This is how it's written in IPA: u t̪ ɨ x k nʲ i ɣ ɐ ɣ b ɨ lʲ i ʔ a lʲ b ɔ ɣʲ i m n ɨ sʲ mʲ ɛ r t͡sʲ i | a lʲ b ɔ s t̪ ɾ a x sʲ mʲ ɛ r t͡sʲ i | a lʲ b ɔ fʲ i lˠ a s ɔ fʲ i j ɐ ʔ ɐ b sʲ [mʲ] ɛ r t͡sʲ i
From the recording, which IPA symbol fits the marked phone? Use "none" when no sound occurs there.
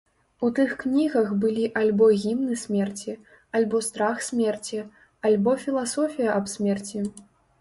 mʲ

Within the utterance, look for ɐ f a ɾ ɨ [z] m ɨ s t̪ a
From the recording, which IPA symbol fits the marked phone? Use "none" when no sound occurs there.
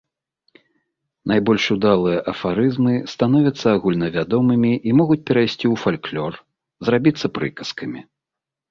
z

